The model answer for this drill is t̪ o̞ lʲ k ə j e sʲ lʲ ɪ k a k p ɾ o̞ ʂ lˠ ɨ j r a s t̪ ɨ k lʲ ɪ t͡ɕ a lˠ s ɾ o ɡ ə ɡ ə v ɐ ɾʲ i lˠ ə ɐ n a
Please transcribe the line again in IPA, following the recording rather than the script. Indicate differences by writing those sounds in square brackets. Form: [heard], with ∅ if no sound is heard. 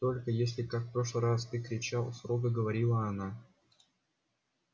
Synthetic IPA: t̪ o̞ lʲ k ə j e sʲ lʲ ɪ k a k p ɾ o̞ ʂ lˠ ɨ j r a s t̪ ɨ k [ɾʲ] ɪ t͡ɕ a lˠ s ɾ o ɡ ə ɡ ə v ɐ ɾʲ i lˠ ə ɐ n a